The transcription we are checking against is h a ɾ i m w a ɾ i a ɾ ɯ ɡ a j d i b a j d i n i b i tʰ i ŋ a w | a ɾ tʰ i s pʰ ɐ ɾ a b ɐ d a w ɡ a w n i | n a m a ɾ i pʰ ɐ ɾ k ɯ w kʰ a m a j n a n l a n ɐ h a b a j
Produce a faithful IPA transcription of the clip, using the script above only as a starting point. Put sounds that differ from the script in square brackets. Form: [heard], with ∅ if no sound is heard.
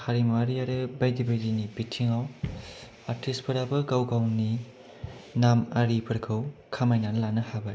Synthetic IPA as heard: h a ɾ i m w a ɾ i a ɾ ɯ [b] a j d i b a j d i n i b i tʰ i ŋ a w | a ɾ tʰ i s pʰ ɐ ɾ a b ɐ [ɡ] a w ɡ a w n i | n a m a ɾ i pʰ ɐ ɾ [kʰ] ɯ w kʰ a m a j n a n l a n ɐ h a b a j

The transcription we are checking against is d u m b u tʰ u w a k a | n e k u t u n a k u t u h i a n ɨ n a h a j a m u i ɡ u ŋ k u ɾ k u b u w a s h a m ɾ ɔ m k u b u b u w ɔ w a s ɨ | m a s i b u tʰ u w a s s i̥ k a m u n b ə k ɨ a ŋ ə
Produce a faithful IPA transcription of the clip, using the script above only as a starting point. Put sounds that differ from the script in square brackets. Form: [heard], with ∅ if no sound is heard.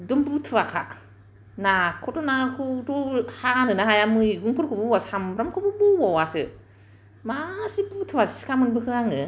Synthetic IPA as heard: d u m b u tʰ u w a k a | n [a] k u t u n a k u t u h [a] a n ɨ n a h a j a m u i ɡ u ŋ k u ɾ k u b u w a s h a m ɾ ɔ m k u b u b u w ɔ w a s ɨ | m a s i b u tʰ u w a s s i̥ k a m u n b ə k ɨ a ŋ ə

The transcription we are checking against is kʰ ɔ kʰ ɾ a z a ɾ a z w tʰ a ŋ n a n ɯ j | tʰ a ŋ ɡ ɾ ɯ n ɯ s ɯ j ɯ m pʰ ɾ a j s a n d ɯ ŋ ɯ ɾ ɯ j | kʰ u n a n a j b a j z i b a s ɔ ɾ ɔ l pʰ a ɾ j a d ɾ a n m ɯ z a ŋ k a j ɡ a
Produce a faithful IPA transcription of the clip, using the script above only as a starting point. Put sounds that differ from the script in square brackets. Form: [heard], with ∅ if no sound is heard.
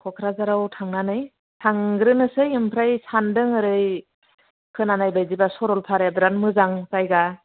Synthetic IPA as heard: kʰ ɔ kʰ ɾ a z a ɾ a [∅] w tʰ a ŋ n a n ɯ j | tʰ a ŋ ɡ ɾ ɯ n ɯ s ɯ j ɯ m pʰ ɾ a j s a n d ɯ ŋ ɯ ɾ ɯ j | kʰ [ɯ] n a n a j b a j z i b a s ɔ ɾ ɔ l pʰ a ɾ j a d ɾ a n m ɯ z a ŋ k a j ɡ a

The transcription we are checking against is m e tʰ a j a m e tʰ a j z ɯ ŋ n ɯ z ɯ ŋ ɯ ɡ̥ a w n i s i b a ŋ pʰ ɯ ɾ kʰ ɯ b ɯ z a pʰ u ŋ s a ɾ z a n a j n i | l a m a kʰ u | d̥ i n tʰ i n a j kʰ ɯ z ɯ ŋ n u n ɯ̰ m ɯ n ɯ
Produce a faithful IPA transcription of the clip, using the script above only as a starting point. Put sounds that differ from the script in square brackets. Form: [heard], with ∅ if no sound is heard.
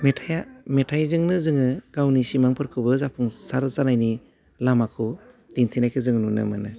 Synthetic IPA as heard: m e tʰ a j a m e tʰ a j z ɯ ŋ n ɯ z ɯ ŋ ɯ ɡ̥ a w n i s i [m] a ŋ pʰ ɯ ɾ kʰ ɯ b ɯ z a pʰ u ŋ s a ɾ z a n a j n i | l a m a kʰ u | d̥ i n tʰ i n a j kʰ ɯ z ɯ ŋ n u n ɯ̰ m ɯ n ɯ

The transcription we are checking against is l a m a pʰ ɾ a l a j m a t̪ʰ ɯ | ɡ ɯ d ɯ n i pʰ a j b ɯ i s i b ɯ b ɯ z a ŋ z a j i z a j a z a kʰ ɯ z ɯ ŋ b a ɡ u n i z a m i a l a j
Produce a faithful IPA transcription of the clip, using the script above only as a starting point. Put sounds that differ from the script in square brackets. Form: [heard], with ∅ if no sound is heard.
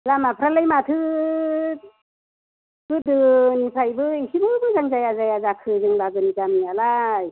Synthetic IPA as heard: l a m a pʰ ɾ a l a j m a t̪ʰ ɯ | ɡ ɯ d ɯ n i pʰ a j b ɯ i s i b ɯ b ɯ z a ŋ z a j [a] z a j a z a kʰ ɯ z ɯ ŋ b a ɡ [ɯ] n i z a m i a l a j

